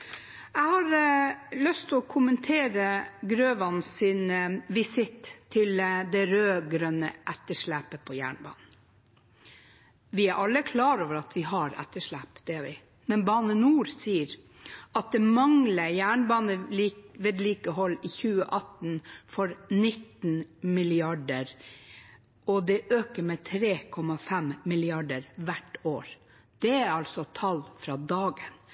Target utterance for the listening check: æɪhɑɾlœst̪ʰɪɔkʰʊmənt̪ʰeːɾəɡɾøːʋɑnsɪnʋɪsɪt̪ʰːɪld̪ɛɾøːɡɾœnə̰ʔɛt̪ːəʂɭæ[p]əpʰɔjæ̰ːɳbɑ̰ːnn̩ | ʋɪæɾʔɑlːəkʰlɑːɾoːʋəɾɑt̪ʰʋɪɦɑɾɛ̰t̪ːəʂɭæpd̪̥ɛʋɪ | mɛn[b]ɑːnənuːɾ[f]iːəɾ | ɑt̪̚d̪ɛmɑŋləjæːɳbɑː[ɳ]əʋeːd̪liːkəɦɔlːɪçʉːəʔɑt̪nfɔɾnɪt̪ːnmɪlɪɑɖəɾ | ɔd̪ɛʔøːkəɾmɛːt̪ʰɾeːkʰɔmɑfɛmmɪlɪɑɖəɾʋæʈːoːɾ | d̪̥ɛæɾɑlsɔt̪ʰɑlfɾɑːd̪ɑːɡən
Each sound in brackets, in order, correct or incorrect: correct, correct, incorrect, incorrect

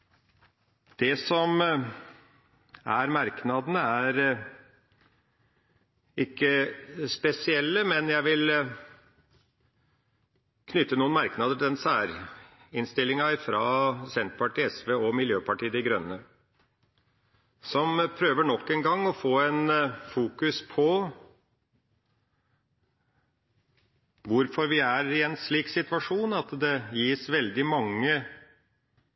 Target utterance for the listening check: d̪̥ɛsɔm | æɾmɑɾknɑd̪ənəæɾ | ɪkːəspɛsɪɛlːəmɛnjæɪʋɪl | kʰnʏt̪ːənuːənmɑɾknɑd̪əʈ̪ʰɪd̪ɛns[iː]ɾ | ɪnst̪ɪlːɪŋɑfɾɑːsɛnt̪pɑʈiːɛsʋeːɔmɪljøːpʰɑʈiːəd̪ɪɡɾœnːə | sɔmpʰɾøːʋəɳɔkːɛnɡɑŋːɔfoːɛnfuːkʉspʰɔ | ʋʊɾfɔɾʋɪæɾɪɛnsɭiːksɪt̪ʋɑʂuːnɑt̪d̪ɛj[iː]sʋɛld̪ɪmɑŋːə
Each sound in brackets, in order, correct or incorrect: incorrect, correct

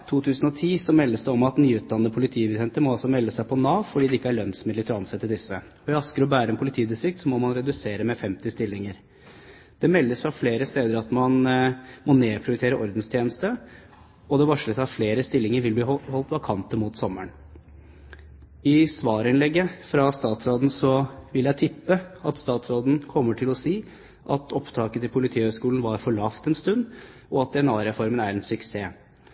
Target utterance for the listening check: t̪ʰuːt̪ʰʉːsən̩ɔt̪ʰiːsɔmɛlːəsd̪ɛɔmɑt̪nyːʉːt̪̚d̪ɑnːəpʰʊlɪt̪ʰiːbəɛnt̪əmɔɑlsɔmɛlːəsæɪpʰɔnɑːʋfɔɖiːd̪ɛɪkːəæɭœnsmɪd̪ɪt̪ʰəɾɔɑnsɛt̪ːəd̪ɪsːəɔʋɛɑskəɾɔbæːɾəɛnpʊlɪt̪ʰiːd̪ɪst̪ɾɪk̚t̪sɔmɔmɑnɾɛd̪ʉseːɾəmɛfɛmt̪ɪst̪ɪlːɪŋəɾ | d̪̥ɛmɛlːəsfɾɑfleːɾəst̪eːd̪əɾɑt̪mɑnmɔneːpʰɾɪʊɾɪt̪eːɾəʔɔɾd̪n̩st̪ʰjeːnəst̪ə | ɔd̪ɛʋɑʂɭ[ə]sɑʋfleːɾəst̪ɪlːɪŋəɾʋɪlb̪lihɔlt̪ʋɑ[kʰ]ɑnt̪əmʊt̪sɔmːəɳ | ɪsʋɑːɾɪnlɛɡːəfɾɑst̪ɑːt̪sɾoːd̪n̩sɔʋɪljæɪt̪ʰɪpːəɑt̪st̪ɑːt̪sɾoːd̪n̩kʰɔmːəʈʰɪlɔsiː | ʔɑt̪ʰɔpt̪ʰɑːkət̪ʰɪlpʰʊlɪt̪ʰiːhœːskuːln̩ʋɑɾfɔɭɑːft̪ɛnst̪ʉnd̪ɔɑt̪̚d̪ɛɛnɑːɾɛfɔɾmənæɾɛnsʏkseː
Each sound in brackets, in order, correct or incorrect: correct, correct

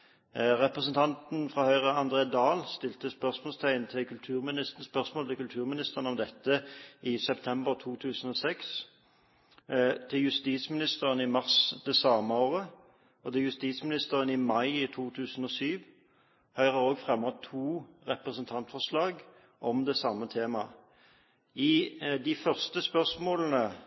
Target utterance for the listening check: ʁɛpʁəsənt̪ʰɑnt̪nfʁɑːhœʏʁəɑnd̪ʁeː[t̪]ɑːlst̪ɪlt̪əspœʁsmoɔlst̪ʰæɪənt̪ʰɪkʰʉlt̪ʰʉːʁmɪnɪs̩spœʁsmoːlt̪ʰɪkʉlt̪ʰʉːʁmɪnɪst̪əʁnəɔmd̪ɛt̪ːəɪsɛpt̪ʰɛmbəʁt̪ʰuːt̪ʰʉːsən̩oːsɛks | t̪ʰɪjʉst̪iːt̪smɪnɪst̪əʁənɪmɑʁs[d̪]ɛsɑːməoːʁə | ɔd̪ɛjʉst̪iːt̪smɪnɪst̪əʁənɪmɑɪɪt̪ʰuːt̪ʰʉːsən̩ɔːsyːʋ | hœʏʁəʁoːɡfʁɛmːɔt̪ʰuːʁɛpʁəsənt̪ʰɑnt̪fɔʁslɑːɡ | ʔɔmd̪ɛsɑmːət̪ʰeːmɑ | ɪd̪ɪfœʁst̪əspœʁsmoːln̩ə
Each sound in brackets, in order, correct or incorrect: incorrect, correct

